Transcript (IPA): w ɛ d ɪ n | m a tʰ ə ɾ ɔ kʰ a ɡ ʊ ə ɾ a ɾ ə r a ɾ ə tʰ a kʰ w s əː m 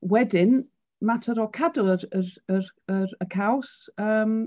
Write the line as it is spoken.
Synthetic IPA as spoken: w ɛ d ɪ n | m a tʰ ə ɾ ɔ kʰ a d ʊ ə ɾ ə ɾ ə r ə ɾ ə kʰ a w s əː m